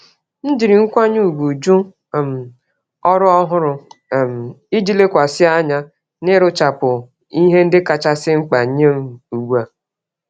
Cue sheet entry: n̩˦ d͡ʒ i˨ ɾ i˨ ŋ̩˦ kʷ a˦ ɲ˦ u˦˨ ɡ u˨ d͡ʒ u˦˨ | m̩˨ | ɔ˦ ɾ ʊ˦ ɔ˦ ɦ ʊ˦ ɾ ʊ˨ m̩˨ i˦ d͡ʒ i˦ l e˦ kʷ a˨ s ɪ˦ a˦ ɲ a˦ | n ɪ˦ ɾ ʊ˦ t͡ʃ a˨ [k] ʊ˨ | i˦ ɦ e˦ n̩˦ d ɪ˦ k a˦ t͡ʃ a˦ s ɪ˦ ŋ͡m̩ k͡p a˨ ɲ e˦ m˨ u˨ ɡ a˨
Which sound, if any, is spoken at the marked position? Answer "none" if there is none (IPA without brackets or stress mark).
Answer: p